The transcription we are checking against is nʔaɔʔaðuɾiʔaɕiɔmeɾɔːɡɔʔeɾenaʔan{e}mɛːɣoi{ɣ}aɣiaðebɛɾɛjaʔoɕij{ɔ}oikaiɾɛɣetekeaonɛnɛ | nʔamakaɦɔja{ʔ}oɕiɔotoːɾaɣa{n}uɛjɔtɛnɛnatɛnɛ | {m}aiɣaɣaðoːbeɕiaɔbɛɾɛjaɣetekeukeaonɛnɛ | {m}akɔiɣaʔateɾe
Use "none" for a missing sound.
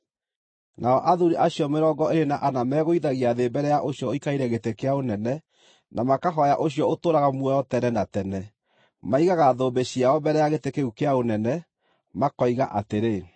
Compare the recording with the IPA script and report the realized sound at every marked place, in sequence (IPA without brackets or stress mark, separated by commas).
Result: a, ð, ɔ, ʔ, m, m, m